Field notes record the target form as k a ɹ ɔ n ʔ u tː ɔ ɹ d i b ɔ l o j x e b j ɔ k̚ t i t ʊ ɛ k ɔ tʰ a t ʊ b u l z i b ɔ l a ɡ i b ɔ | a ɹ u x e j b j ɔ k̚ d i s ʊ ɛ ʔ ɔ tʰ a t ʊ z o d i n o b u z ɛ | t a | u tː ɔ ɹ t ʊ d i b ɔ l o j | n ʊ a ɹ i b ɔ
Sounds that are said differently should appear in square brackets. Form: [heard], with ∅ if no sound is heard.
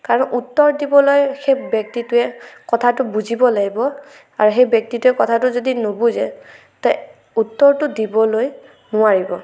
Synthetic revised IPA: k a ɹ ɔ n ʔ u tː ɔ ɹ d i b ɔ l o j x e b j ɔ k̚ t i t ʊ ɛ k ɔ tʰ a t ʊ b u [∅] z i b ɔ l a ɡ i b ɔ | a ɹ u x e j b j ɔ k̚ [t] i [t] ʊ ɛ [k] ɔ tʰ a t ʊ z o d i n o b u z ɛ | t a | u tː ɔ ɹ t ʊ d i b ɔ l o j | n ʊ a ɹ i b ɔ